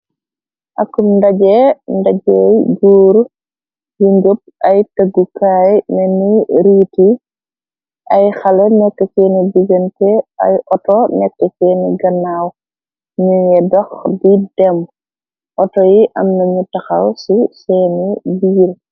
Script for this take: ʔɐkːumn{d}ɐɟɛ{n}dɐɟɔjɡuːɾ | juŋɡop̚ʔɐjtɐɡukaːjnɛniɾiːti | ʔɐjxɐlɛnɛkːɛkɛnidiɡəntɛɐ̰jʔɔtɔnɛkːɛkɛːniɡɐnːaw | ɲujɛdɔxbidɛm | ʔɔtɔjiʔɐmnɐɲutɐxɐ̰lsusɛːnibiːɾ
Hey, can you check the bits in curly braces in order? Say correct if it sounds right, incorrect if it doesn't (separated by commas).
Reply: correct, correct